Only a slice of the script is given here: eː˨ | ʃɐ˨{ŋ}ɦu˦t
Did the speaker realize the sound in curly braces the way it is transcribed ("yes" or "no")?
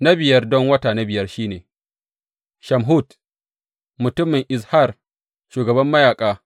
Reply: no